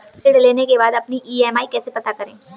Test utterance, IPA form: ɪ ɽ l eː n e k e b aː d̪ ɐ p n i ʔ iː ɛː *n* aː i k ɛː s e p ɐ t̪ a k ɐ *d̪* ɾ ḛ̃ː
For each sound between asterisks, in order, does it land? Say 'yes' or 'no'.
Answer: no, no

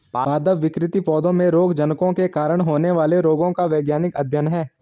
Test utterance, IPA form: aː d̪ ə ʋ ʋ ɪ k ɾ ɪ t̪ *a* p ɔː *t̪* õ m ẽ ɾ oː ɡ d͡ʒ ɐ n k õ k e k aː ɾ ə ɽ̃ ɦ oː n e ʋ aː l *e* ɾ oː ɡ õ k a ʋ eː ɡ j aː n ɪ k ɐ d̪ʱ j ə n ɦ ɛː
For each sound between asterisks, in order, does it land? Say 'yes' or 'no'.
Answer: no, no, yes

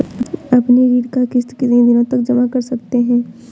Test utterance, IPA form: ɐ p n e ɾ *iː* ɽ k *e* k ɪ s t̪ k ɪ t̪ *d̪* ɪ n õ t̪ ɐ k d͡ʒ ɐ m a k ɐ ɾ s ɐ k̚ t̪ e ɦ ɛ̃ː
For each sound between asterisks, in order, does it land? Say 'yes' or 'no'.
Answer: yes, no, yes

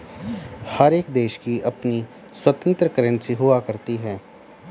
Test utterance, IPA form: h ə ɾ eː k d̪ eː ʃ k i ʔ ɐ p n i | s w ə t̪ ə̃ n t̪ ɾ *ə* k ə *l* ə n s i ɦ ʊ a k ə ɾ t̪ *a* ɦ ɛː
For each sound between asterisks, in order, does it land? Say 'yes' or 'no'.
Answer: yes, no, no

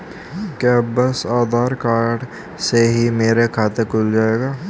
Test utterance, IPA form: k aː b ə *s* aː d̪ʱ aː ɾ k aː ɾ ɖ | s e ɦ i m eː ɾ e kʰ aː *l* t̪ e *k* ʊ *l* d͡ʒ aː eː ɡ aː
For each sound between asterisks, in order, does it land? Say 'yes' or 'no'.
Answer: yes, no, yes, yes

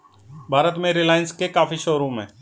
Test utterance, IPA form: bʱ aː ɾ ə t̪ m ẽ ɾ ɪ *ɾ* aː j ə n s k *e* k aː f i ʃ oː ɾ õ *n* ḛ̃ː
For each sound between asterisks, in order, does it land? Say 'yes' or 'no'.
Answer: no, yes, no

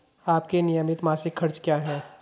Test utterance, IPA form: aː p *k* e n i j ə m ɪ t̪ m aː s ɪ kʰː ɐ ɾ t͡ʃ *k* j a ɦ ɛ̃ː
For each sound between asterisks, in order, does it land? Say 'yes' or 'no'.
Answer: yes, yes

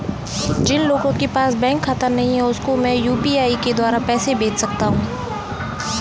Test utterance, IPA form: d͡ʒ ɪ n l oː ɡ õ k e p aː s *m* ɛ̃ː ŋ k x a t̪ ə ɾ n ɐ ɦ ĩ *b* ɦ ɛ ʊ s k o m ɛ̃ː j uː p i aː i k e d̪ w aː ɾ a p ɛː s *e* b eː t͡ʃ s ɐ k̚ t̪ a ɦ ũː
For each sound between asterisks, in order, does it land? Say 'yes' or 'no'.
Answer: no, no, yes

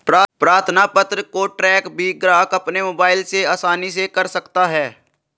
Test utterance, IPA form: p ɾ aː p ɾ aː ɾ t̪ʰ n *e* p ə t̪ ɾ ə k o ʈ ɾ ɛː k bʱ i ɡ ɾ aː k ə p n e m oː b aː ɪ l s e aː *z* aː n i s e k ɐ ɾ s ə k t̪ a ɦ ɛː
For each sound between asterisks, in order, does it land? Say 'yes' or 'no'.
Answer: no, no

